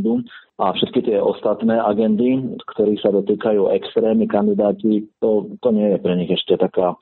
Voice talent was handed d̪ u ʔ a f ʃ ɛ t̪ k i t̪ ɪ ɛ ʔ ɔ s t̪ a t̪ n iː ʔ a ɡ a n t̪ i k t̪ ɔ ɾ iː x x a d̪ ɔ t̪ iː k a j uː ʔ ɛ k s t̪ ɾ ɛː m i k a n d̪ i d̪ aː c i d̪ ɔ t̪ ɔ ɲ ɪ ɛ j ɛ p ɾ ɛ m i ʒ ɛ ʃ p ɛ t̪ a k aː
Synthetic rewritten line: d̪ u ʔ a f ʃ ɛ t̪ k i t̪ ɪ ɛ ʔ ɔ s t̪ a t̪ n ɛː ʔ a ɡ ɛ n d̪ i k t̪ ɔ ɾ iː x s a d̪ ɔ t̪ iː k a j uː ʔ ɛ k s t̪ ɾ ɛː m i k a n d̪ i d̪ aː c i t̪ ɔ t̪ ɔ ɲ ɪ ɛ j ɛ p ɾ ɛ ɲ i ɣ ɛ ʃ c ɛ t̪ a k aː